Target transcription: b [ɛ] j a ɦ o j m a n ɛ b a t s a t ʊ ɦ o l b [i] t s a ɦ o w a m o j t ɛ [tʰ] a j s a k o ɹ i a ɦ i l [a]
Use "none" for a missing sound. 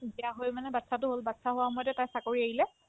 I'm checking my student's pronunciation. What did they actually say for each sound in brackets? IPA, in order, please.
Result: i, a, t, ɛ

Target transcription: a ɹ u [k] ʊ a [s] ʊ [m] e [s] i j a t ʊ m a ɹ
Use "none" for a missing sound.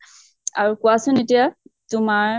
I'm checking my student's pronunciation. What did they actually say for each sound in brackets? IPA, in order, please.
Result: k, s, n, t

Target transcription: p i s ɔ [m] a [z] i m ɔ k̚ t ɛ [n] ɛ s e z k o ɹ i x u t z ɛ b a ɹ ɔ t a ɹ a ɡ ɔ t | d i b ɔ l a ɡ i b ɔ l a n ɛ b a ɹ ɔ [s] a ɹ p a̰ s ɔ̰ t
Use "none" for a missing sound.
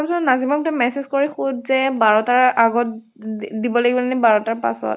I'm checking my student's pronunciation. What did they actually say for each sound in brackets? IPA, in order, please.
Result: n, z, m, t

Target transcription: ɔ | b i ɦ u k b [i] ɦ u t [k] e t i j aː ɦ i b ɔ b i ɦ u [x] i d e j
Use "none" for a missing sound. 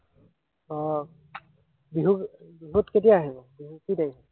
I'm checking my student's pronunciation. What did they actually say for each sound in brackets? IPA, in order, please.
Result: i, k, k

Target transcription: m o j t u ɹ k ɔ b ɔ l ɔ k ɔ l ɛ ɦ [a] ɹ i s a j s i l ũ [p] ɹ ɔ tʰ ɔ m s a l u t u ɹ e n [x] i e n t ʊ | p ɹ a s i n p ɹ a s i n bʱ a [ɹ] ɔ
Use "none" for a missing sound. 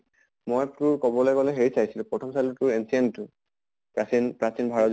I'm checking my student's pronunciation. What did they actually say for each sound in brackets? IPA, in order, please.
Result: e, p, s, ɹ

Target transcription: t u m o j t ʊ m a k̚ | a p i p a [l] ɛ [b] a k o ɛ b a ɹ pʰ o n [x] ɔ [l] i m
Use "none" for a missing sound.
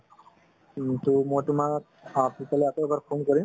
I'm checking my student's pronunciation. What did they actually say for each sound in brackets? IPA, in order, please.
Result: l, none, k, ɹ

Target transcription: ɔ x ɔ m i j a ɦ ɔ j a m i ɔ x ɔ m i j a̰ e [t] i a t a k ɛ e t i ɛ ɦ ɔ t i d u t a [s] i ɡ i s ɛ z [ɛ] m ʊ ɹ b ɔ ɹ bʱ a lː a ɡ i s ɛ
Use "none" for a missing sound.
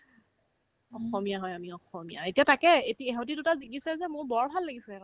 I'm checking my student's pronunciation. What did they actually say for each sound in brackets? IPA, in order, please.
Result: t, z, ɛ

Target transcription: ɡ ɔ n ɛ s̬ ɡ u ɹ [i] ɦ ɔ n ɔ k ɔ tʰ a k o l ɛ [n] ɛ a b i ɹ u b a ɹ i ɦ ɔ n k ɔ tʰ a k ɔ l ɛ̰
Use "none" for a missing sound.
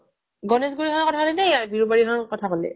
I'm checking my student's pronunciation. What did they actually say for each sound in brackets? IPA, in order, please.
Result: i, n

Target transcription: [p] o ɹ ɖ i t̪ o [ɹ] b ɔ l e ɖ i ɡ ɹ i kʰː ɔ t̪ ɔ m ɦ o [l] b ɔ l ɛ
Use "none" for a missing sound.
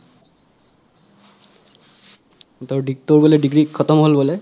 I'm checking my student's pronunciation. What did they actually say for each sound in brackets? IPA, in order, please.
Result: t, ɹ, l

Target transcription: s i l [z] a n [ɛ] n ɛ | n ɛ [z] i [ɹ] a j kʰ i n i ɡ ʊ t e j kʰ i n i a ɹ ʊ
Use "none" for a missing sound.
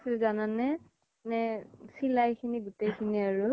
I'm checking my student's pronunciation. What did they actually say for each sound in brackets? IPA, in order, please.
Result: z, a, s, l

